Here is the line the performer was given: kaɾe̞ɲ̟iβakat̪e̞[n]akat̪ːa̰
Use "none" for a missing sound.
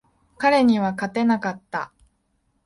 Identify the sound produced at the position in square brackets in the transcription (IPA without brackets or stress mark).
n